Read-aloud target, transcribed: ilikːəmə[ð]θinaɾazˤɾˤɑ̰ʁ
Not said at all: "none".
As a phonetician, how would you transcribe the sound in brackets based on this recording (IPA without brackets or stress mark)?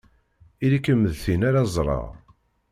ð